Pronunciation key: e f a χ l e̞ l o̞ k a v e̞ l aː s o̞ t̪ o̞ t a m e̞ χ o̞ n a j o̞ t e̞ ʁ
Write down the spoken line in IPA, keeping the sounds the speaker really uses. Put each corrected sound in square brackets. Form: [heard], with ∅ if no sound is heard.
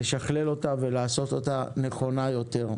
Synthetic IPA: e [ʃ] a χ l e̞ l o̞ [t] a v e̞ l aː s o̞ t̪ o̞ t a [n] e̞ χ o̞ n a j o̞ t e̞ ʁ